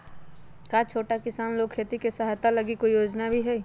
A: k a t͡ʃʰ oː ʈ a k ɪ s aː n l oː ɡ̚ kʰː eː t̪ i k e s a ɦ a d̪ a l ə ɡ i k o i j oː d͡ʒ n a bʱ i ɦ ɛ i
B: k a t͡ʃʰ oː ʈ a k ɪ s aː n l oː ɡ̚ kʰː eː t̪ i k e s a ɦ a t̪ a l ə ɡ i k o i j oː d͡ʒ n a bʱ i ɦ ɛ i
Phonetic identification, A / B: B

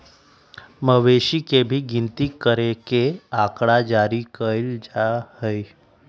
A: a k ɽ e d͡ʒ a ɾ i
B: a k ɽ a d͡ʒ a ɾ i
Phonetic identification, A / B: B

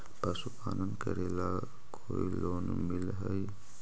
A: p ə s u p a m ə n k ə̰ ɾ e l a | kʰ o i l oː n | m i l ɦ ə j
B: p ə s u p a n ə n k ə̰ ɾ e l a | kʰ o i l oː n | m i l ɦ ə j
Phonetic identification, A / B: B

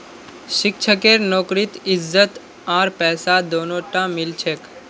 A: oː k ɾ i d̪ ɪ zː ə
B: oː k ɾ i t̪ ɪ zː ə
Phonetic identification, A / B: B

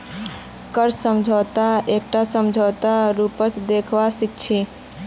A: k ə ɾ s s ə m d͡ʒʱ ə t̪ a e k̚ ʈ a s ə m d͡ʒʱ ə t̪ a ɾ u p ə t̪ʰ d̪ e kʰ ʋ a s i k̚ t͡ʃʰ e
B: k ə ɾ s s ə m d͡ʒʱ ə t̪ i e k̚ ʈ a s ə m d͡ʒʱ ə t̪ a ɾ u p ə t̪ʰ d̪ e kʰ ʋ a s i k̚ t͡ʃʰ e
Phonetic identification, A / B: A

